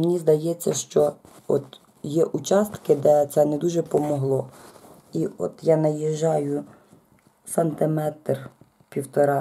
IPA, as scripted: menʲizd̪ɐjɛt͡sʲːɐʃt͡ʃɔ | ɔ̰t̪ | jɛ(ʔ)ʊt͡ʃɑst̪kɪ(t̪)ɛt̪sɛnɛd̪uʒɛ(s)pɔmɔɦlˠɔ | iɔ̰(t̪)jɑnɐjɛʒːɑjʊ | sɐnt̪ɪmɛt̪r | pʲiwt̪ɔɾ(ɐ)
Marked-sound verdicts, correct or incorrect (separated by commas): correct, incorrect, incorrect, correct, incorrect